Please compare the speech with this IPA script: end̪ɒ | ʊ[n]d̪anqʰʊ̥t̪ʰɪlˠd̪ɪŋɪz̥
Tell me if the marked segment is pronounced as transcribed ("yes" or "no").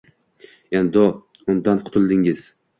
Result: yes